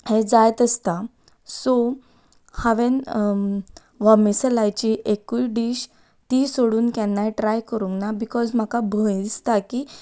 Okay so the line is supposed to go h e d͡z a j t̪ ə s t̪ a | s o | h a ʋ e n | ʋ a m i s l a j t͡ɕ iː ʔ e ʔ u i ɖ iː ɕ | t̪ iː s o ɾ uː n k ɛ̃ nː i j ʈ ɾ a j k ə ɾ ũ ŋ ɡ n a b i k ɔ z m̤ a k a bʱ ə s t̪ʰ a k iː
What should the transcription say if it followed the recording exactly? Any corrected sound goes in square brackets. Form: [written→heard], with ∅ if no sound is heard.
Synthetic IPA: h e d͡z a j t̪ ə s t̪ a | s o | h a ʋ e n | ʋ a m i s l a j t͡ɕ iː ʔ e [ʔ→k] u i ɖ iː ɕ | t̪ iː s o [ɾ→ɽ] uː n k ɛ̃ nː [i→a] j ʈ ɾ a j k ə ɾ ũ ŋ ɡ n a b i k ɔ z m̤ a k a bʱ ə s [t̪ʰ→t̪] a k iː